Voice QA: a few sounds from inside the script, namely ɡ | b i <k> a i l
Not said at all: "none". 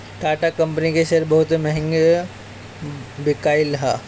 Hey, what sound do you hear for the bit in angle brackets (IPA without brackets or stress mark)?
k